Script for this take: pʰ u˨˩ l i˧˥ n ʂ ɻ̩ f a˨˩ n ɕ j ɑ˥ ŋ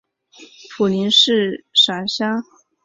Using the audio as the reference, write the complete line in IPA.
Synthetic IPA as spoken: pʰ u˨˩ l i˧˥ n ʂ ɻ̩ ʂ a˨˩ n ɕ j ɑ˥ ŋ

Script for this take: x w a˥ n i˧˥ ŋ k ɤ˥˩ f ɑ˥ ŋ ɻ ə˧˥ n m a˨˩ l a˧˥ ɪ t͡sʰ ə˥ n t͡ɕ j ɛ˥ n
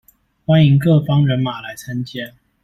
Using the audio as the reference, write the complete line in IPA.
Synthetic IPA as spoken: x w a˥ n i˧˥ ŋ k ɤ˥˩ f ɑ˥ ŋ ɻ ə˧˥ n m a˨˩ l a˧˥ ɪ t͡sʰ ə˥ n t͡ɕ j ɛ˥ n

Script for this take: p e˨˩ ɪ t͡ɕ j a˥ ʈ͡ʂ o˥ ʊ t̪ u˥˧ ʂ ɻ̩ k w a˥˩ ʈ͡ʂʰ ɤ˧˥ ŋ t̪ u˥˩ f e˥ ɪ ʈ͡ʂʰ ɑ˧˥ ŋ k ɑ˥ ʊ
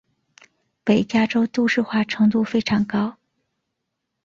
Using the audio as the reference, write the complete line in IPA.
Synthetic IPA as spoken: p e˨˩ ɪ t͡ɕ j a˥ ʈ͡ʂ o˥ ʊ t̪ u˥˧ ʂ ɻ̩ x w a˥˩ ʈ͡ʂʰ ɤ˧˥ ŋ t̪ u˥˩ f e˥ ɪ ʈ͡ʂʰ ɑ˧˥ ŋ k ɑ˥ ʊ

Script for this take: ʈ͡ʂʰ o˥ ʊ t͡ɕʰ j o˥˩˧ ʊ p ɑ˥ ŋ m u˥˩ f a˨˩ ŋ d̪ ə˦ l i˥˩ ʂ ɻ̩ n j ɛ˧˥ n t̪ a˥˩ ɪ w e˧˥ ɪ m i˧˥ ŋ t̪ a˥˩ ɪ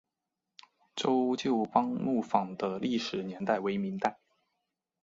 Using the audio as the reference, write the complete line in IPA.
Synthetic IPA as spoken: ʈ͡ʂ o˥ ʊ t͡ɕ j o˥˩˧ ʊ p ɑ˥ ŋ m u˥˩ f ɑ˨˩ ŋ d̪ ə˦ l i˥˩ ʂ ɻ̩ n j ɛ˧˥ n t̪ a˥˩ ɪ w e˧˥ ɪ m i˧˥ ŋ t̪ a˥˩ ɪ

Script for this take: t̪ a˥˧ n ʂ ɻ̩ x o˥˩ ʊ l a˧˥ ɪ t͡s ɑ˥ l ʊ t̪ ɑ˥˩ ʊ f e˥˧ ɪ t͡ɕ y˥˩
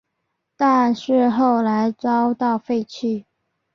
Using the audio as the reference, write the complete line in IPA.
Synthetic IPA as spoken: t̪ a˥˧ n ʂ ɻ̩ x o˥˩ ʊ l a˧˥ ɪ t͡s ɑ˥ ʊ t̪ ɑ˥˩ ʊ f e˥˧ ɪ t͡ɕʰ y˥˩

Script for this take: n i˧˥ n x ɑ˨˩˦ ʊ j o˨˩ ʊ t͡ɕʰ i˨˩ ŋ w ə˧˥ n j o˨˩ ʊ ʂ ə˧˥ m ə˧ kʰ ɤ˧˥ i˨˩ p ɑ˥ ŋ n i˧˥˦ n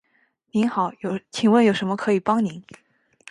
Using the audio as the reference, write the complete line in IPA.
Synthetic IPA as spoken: n i˧˥ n x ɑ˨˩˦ ʊ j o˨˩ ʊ t͡ɕʰ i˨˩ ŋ w ə˥˩ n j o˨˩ ʊ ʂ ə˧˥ m ə˧ kʰ ɤ˧˥ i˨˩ p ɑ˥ ŋ n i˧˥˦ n

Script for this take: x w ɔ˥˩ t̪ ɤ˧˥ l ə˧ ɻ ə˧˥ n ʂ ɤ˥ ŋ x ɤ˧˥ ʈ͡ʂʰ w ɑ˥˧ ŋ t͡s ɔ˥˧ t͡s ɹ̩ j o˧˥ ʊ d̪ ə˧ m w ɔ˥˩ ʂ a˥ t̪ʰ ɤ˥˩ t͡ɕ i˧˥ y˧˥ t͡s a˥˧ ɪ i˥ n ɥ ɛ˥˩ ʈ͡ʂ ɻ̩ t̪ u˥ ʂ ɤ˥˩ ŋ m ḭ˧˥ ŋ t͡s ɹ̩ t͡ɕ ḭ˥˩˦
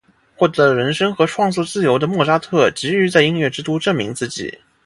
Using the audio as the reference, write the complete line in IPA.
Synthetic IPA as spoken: x w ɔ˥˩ t̪ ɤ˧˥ l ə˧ ɻ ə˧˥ n ʂ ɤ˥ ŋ x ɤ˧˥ ʈ͡ʂʰ w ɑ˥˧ ŋ t͡s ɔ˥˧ t͡s ɹ̩ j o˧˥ ʊ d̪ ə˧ m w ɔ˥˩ ʂ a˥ t̪ʰ ɤ˥˩ t͡ɕ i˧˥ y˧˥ t͡s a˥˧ ɪ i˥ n ɥ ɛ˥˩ ʈ͡ʂ ɻ̩ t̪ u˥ ʈ͡ʂ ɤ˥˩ ŋ m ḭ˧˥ ŋ t͡s ɹ̩ t͡ɕ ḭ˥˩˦

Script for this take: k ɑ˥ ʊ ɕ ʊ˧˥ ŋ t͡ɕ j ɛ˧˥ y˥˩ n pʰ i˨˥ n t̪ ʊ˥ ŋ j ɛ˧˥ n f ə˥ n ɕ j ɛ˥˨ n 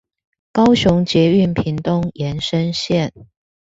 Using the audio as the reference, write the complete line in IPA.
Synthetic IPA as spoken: k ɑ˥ ʊ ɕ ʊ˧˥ ŋ t͡ɕ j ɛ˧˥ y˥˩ n pʰ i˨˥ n t̪ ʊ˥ ŋ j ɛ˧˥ n ʂ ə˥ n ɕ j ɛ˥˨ n

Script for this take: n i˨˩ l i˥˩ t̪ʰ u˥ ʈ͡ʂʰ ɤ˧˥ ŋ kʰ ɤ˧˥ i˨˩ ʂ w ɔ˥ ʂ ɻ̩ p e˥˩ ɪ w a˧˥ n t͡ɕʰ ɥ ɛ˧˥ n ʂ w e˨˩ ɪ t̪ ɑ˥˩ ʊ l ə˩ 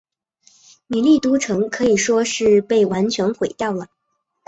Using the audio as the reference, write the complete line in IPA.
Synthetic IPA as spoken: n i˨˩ l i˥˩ t̪ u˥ ʈ͡ʂʰ ɤ˧˥ ŋ kʰ ɤ˧˥ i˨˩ ʂ w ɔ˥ ʂ ɻ̩ p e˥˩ ɪ w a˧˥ n t͡ɕʰ ɥ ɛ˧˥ n x w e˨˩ ɪ t̪ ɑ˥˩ ʊ l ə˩

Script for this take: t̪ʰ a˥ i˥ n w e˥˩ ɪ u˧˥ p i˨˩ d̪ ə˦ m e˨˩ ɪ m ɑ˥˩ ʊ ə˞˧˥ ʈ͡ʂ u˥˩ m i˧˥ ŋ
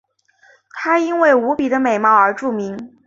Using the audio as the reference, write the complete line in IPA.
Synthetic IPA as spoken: t̪ʰ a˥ i˥ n w e˥˩ ɪ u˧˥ p i˨˩ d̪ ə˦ m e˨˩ ɪ m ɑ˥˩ ʊ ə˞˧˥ ʈ͡ʂ u˥˩ m i˧˥ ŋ

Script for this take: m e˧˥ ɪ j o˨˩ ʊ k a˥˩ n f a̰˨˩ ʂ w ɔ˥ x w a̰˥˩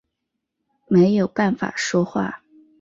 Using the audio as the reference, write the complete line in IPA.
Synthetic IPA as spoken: m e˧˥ ɪ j o˨˩ ʊ p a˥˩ n f a̰˨˩ ʂ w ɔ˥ x w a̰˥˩

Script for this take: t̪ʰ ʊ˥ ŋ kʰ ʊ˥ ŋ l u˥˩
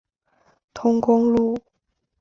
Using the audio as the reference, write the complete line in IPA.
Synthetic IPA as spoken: t̪ʰ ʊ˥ ŋ k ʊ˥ ŋ l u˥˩

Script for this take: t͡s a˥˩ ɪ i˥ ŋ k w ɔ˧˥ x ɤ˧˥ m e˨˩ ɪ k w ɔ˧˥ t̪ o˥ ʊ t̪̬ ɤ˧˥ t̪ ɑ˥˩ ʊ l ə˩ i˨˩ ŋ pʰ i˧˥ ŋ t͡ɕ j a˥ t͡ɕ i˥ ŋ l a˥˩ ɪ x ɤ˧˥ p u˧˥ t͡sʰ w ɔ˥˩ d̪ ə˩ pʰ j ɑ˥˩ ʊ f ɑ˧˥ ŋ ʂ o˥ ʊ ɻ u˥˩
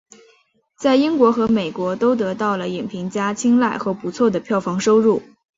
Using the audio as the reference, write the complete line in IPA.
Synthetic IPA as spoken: t͡s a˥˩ ɪ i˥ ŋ k w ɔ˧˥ x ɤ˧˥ m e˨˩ ɪ k w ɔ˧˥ t̪ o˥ ʊ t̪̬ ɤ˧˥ t̪ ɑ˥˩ ʊ l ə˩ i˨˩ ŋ pʰ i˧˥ ŋ t͡ɕ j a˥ t͡ɕʰ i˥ ŋ l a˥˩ ɪ x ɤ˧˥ p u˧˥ t͡sʰ w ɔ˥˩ d̪ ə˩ pʰ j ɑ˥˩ ʊ f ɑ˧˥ ŋ ʂ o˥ ʊ ɻ u˥˩

